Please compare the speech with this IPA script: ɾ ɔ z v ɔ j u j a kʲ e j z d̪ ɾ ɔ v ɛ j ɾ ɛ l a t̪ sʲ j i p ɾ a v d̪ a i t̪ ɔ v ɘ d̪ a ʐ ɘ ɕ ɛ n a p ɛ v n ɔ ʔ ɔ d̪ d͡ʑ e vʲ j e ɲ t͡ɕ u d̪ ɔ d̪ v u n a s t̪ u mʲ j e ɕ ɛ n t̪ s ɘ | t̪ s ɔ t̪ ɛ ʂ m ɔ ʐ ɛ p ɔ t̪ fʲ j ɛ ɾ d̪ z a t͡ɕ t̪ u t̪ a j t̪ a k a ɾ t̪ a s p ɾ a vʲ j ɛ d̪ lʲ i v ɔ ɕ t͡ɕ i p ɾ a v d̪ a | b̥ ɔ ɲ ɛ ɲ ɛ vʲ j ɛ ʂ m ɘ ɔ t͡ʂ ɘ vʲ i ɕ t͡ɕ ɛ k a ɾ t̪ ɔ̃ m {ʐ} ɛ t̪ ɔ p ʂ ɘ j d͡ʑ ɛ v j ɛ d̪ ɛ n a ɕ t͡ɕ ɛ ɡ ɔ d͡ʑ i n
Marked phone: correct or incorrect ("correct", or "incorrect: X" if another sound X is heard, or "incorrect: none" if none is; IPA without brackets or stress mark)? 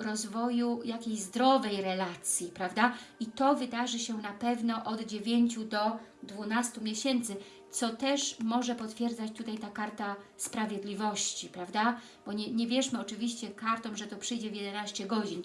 correct